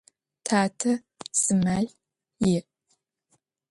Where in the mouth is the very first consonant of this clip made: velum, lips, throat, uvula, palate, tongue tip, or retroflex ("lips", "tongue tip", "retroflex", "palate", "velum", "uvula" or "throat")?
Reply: tongue tip